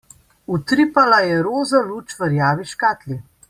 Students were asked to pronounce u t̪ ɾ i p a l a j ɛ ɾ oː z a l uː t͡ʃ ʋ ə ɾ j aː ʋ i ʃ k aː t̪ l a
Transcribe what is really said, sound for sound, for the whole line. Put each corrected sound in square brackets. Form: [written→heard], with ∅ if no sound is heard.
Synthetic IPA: u t̪ ɾ i p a l a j ɛ ɾ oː z a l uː t͡ʃ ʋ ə ɾ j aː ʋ i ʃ k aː t̪ l [a→i]